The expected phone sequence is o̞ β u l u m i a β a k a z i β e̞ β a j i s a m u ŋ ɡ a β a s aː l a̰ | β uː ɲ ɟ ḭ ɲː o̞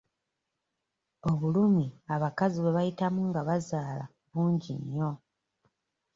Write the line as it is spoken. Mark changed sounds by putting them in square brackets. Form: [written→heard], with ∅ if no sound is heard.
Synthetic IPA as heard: o̞ β u l u m i a β a k a z i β e̞ β a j i [s→t] a m u ŋ ɡ a β a [s→z] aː l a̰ | β uː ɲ ɟ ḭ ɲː o̞